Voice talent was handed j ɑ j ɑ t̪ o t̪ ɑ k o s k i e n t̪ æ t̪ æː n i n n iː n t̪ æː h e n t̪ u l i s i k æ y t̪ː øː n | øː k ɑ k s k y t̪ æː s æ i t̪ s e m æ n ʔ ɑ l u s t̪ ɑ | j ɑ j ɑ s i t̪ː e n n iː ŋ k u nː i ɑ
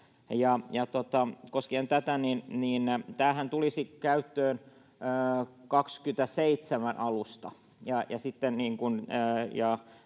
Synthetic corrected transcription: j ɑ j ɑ t̪ o t̪ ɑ k o s k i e n t̪ æ t̪ æ n i n n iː n t̪ æː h æ n t̪ u l i s i k æ y t̪ː øː n | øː k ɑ k s k y t̪ æ s e i t̪ s e m æ n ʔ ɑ l u s t̪ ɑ | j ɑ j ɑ s i t̪ː e n n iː ŋ k u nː j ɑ